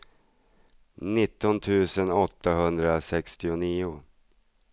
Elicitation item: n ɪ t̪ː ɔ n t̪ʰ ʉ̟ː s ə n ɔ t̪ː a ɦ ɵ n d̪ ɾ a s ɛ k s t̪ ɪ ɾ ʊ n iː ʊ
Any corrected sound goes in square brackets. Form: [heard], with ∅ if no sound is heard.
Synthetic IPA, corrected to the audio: n ɪ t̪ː ɔ n t̪ʰ ʉ̟ː s ə n ɔ t̪ː a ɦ ɵ n d̪ ɾ a s ɛ k s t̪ ɪ [∅] ʊ n iː ʊ